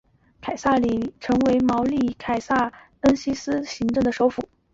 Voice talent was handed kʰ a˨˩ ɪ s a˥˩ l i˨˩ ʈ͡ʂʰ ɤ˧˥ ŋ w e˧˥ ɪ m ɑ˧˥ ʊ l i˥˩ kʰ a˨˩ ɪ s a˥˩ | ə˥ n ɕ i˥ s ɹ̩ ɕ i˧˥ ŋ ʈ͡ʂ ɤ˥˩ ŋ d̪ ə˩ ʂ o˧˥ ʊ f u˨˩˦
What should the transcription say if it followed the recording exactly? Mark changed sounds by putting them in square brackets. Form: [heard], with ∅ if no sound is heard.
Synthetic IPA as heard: kʰ a˨˩ ɪ s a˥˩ l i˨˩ ʈ͡ʂʰ ɤ˧˥ ŋ w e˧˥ ɪ m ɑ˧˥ ʊ l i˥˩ kʰ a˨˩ ɪ s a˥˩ | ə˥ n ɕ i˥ s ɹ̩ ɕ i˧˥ ŋ ʈ͡ʂ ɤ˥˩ ŋ d̪ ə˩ ʂ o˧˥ ʊ f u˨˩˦